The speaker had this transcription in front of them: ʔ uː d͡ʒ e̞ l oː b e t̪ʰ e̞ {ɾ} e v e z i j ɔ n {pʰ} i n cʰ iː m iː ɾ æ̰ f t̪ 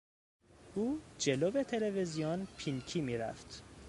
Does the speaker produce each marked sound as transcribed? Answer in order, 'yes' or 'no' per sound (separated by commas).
no, yes